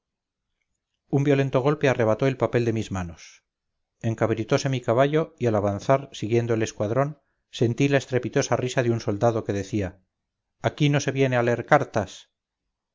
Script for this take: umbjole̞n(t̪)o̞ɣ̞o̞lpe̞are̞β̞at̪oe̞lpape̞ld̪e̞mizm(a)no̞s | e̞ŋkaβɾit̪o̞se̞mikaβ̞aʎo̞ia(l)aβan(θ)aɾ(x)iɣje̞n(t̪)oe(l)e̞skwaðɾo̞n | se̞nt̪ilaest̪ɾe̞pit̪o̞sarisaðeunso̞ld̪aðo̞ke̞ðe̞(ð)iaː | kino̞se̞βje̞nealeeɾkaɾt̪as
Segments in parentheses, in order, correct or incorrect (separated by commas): correct, correct, correct, correct, incorrect, incorrect, correct, incorrect